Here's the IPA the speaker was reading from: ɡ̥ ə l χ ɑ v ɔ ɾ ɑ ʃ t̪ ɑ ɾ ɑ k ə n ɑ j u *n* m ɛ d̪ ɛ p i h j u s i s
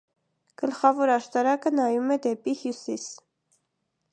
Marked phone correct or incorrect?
incorrect: none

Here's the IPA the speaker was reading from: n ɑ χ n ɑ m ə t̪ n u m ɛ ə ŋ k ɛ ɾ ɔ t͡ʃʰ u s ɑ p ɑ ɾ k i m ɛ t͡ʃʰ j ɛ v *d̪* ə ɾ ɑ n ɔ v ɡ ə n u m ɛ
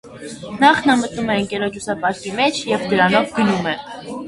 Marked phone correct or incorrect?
correct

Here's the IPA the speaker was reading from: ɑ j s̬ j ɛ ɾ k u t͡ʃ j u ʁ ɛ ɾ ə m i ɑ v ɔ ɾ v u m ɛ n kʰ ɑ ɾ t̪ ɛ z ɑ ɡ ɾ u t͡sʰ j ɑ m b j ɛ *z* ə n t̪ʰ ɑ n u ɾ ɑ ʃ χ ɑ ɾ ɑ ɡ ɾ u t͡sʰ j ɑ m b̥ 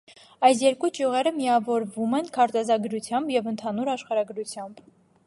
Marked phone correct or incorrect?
incorrect: v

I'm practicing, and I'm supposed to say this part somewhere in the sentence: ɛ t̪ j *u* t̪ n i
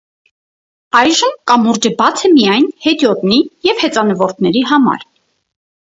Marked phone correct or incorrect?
incorrect: ɔ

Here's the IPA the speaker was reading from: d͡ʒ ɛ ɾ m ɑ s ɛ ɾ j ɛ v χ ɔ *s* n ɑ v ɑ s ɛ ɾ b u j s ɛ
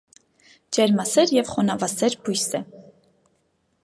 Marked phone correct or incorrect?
incorrect: none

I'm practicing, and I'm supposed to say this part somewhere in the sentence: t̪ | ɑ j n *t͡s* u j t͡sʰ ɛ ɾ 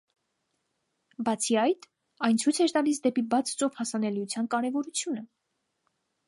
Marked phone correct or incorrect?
incorrect: t͡sʰ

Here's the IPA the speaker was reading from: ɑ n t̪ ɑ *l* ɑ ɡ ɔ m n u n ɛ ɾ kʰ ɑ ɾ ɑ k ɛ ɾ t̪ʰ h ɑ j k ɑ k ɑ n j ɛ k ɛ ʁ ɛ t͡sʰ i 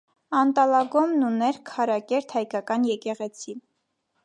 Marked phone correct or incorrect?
correct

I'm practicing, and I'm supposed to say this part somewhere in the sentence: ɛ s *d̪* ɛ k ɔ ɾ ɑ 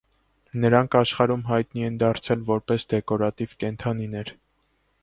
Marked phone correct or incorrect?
correct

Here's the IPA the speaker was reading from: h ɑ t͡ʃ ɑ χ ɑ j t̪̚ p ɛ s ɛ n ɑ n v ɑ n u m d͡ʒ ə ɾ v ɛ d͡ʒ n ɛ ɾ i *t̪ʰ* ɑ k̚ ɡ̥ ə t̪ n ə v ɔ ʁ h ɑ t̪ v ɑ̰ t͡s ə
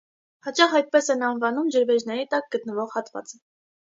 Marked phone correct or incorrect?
incorrect: t̪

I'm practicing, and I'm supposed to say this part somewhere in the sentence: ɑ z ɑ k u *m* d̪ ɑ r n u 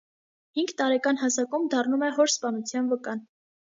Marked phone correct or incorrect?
correct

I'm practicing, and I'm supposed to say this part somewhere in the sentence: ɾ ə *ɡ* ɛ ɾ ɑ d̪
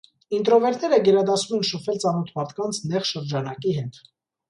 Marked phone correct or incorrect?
correct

